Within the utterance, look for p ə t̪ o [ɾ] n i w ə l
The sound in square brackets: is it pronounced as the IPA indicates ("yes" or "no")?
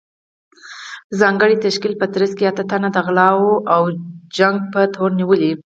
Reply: yes